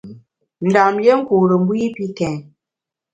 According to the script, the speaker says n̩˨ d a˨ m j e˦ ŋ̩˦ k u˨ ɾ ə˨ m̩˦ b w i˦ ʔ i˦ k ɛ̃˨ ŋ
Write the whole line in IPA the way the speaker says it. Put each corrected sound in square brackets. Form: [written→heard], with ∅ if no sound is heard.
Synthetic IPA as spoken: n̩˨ d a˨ m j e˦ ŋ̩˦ k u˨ ɾ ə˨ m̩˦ b w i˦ [ʔ→p] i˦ k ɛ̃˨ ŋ